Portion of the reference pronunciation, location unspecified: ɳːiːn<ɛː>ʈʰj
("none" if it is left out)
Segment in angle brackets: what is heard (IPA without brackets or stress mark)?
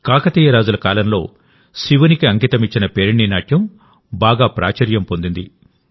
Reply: aː